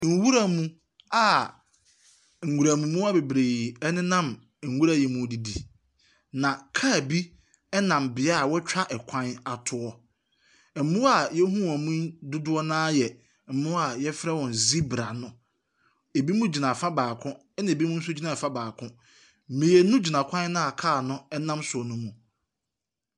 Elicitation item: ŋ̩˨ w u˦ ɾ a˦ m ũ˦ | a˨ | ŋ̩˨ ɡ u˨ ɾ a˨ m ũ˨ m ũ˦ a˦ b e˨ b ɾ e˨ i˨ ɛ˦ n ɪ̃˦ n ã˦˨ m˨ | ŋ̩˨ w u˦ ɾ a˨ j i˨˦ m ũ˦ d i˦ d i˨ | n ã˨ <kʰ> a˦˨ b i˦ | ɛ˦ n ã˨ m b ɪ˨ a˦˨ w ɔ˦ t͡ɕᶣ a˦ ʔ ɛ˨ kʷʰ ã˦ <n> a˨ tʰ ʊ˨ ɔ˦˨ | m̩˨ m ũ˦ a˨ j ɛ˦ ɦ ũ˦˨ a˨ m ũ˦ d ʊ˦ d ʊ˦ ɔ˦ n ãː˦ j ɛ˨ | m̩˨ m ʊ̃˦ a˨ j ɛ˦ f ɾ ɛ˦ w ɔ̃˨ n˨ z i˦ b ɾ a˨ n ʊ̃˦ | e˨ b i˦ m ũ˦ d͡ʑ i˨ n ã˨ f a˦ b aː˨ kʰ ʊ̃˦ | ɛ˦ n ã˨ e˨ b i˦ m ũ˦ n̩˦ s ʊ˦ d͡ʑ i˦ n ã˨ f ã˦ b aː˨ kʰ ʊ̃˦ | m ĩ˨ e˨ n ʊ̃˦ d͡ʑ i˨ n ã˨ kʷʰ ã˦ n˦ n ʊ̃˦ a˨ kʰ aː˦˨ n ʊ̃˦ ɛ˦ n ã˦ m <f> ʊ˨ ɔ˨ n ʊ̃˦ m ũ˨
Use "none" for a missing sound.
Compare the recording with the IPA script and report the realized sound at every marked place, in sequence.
kʰ, n, s

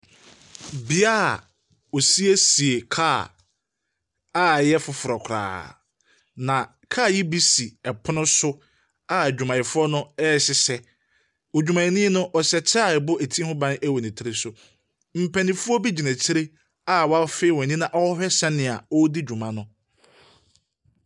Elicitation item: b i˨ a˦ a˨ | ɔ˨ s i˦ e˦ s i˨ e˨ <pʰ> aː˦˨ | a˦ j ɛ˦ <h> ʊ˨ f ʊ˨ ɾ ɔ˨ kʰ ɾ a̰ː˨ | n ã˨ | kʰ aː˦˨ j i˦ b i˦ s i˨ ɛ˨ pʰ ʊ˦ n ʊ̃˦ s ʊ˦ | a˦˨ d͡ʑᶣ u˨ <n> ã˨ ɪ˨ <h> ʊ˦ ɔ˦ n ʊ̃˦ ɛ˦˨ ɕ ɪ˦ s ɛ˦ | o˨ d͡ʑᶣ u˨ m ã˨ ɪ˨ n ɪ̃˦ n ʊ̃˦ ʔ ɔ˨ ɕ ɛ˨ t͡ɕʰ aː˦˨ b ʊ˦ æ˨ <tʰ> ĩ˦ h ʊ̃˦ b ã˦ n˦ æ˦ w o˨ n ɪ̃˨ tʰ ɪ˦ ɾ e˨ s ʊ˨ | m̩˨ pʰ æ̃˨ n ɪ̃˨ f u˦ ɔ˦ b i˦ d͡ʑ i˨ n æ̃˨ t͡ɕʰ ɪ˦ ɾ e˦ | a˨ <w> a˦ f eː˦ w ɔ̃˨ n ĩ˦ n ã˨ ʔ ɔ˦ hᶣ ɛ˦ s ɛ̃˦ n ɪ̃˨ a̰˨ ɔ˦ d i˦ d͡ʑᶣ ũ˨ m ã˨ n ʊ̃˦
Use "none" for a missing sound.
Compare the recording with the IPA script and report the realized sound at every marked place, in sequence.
kʰ, f, m, f, tʰ, w

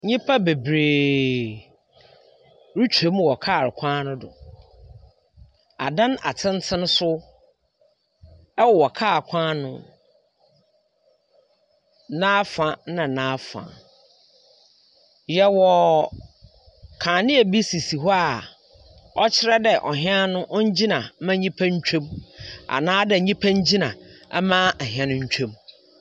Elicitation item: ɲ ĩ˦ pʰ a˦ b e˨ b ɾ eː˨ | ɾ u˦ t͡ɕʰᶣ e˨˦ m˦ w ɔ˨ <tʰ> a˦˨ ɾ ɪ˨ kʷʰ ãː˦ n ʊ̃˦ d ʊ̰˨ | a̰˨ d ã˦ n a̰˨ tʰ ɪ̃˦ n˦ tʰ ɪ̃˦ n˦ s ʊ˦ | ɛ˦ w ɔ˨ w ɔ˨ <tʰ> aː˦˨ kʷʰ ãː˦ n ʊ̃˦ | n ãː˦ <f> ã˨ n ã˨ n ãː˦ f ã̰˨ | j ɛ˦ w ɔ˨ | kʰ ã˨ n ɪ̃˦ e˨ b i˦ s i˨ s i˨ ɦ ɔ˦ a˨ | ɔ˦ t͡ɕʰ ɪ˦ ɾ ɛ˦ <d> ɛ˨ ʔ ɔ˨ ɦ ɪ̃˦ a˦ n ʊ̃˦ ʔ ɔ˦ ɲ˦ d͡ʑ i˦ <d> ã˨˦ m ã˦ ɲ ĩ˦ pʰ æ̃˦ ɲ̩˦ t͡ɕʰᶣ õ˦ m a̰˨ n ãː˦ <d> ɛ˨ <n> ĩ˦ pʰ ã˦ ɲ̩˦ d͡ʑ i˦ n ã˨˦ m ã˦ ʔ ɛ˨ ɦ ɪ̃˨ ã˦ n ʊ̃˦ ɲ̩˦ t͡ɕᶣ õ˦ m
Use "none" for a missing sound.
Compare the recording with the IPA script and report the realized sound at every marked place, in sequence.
kʰ, kʰ, f, d, n, d, ɲ

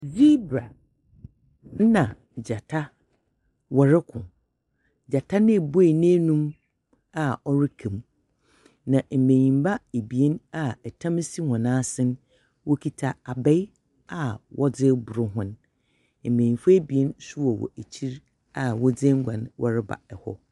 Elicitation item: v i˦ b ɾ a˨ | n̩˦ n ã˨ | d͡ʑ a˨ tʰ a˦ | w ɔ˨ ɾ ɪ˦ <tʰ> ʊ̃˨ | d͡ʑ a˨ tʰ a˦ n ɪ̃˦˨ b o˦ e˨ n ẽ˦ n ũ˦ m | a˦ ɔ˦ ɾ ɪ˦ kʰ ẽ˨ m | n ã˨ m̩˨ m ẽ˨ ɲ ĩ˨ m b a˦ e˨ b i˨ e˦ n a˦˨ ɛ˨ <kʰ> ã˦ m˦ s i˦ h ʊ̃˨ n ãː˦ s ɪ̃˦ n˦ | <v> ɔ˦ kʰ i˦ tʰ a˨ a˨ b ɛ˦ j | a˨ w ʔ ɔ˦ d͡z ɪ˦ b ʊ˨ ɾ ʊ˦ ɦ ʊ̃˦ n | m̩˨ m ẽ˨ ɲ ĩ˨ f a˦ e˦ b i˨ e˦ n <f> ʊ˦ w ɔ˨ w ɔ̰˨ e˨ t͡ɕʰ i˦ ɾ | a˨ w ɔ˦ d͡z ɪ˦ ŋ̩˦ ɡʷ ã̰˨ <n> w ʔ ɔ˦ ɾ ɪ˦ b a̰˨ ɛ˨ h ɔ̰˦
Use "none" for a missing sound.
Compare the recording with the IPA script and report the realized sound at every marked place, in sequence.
kʰ, tʰ, w, s, n

